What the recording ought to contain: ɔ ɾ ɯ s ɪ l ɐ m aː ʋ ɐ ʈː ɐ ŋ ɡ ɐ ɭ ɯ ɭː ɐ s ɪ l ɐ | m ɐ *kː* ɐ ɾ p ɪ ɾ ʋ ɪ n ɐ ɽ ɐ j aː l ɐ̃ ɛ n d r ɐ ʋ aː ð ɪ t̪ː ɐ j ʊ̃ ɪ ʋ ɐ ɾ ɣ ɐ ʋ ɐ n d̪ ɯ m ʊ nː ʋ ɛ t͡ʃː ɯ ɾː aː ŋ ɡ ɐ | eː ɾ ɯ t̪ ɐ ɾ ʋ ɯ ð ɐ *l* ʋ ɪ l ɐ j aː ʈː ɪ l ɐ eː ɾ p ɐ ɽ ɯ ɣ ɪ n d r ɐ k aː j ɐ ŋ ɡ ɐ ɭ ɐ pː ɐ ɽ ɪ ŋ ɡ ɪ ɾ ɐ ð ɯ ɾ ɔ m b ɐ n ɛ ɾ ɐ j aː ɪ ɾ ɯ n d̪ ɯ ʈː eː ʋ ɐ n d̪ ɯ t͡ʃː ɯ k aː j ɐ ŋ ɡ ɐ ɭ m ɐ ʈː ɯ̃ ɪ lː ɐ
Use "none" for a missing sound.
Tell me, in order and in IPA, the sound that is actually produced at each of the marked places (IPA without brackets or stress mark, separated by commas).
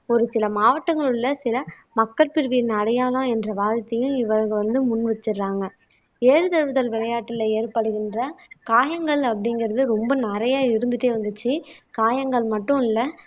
kː, l